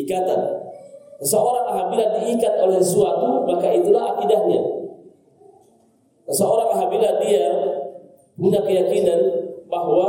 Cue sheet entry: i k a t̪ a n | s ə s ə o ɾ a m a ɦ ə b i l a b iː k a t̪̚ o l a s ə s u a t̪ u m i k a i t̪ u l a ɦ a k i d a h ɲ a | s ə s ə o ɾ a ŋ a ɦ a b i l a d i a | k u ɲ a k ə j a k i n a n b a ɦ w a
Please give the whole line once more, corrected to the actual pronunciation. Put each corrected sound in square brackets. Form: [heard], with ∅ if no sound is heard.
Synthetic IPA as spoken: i k a t̪ a n | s ə s ə o ɾ a [ŋ] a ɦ [a] b i l a [d] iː k a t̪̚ o l [ɛ] s ə s u a t̪ u m [a] k a i t̪ u l a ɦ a k i d a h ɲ a | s ə s ə o ɾ a ŋ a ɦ a b i l a d i a | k u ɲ a k ə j a k i n a n b a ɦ w a